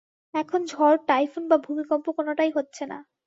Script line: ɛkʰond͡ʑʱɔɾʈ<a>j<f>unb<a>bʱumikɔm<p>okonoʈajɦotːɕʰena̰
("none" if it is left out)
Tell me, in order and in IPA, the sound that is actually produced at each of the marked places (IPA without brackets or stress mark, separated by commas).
a, f, a, p